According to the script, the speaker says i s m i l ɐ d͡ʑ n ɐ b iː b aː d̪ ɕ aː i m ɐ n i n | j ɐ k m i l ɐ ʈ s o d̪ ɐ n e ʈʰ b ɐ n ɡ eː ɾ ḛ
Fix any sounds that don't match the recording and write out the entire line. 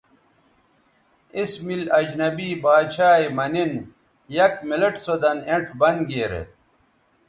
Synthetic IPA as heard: i s m i l ɐ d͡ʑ n ɐ b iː b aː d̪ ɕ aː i m ɐ n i n | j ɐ k m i l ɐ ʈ s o d̪ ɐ n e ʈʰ b ɐ n ɡ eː ɾ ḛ